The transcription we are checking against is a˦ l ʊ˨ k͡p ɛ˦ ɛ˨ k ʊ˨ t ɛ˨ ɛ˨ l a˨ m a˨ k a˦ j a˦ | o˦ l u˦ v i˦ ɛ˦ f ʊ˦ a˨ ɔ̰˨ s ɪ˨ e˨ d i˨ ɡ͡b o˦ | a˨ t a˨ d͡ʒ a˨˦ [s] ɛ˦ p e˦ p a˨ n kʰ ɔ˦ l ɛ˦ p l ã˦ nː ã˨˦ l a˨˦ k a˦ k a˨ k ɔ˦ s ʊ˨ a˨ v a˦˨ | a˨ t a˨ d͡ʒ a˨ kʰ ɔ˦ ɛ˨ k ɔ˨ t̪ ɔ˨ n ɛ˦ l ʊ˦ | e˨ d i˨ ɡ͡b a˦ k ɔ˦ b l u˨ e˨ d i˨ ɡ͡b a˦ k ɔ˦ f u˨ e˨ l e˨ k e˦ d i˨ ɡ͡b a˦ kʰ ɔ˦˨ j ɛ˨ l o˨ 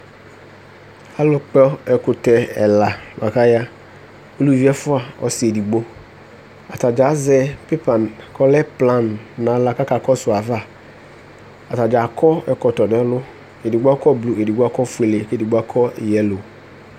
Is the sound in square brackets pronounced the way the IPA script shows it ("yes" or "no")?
no